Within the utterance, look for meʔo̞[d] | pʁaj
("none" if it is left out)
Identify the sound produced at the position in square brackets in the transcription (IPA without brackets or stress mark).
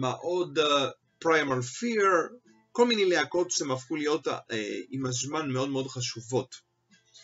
d